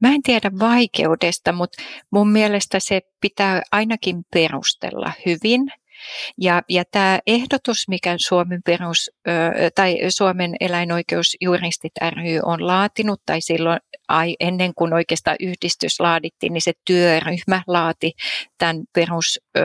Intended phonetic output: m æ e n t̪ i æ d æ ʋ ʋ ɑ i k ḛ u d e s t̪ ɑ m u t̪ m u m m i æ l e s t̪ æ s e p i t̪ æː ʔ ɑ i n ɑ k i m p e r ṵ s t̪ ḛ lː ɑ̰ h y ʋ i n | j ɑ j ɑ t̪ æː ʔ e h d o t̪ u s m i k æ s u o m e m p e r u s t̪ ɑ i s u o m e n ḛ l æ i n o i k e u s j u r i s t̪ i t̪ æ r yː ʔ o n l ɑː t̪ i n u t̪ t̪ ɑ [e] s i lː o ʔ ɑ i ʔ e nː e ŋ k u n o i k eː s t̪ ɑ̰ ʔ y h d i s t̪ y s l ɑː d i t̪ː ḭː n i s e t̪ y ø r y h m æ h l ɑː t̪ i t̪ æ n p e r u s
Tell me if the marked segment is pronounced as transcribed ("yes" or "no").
no